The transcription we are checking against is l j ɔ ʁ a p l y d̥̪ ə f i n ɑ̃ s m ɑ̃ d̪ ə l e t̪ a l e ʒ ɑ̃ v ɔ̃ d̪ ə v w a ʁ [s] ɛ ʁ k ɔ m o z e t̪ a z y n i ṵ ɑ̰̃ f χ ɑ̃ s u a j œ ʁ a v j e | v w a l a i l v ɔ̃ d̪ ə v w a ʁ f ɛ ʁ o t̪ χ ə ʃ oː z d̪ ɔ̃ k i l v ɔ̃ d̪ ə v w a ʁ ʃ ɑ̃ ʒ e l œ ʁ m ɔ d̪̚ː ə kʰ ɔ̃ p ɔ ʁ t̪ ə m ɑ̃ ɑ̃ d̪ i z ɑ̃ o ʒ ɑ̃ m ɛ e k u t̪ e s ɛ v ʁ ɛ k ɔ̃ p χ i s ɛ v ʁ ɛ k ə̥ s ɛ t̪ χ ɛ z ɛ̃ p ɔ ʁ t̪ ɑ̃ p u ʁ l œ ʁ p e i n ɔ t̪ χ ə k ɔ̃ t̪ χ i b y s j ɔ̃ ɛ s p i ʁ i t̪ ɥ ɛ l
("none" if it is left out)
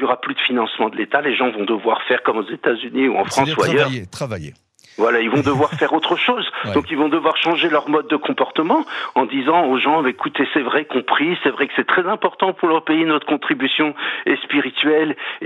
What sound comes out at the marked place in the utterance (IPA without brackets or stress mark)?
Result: f